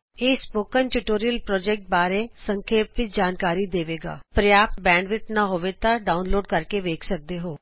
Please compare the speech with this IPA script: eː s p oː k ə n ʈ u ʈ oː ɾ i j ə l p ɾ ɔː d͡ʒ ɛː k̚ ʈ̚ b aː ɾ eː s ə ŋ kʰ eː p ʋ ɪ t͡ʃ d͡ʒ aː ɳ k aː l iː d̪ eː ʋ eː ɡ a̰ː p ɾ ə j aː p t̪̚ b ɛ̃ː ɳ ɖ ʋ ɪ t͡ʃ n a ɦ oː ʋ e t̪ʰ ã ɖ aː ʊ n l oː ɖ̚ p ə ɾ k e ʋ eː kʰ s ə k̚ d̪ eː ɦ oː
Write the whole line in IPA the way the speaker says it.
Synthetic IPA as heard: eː s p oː k ə n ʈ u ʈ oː ɾ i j ə l p ɾ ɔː d͡ʒ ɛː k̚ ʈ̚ b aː ɾ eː s ə ŋ kʰ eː p ʋ ɪ t͡ʃ d͡ʒ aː n k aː ɾ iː d̪ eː ʋ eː ɡ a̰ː p ɾ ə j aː p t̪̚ b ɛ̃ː ɳ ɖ ʋ ɪ t͡ʃ n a ɦ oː ʋ e t̪ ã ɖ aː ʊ n l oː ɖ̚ k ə ɾ k e ʋ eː kʰ s ə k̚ d̪ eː ɦ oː